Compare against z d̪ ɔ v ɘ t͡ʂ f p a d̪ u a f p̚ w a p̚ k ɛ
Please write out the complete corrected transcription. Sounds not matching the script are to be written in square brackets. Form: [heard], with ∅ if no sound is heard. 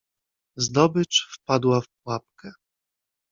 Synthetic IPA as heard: z d̪ ɔ [b] ɘ t͡ʂ f p a d̪ [w] a f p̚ w a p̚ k ɛ